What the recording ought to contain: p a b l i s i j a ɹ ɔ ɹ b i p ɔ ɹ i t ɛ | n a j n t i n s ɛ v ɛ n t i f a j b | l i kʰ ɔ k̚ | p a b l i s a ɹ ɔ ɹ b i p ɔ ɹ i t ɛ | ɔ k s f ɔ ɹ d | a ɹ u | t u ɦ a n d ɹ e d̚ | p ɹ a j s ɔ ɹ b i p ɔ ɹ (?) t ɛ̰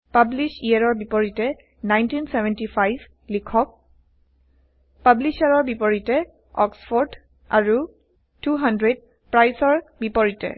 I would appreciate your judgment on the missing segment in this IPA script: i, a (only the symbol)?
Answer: i